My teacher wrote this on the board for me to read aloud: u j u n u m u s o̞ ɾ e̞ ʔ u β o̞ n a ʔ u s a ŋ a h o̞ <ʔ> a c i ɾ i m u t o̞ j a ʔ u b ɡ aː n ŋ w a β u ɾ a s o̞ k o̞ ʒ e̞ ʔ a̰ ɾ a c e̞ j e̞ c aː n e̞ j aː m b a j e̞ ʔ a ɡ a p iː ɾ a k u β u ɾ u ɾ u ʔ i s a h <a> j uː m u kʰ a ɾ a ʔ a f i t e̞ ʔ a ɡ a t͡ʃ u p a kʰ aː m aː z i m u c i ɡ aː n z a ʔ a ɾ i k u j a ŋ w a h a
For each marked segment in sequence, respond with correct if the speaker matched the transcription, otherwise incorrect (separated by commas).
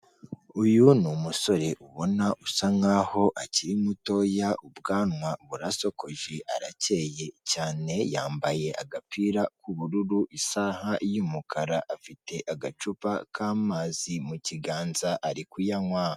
correct, correct